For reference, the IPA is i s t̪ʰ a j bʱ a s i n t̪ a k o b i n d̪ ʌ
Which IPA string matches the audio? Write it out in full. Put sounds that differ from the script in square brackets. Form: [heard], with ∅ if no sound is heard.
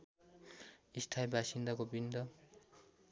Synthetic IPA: i s t̪ʰ a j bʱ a s i n [d̪] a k o b i n d̪ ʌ